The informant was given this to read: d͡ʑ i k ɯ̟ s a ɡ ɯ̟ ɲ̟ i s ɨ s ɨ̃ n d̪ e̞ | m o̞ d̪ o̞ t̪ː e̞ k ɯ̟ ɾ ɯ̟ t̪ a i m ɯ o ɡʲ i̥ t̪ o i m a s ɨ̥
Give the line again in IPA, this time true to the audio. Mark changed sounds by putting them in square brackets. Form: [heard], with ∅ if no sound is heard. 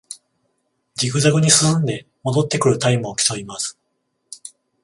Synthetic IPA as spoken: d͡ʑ i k ɯ̟ [z] a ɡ ɯ̟ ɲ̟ i s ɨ s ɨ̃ n d̪ e̞ | m o̞ d̪ o̞ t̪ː e̞ k ɯ̟ ɾ ɯ̟ t̪ a i m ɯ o [kʲ] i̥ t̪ o i m a s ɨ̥